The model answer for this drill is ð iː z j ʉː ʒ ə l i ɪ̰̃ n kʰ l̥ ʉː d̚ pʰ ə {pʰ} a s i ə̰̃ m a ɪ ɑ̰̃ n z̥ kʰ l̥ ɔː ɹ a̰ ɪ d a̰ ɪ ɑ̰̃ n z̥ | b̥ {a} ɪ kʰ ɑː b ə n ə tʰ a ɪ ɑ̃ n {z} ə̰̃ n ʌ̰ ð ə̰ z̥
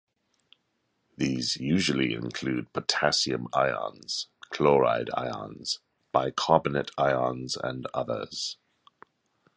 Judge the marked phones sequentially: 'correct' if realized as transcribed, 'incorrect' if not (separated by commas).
incorrect, correct, correct